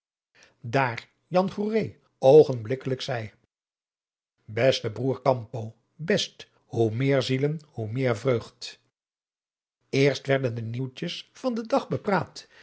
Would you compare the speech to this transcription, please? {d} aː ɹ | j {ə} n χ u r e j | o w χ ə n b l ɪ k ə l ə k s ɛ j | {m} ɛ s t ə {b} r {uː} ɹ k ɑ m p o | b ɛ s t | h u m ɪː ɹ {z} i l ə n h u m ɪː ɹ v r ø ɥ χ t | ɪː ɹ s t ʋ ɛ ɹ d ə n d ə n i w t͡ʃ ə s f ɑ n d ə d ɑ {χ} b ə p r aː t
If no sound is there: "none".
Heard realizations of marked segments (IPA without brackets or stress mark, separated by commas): d, ɑ, b, b, uː, z, χ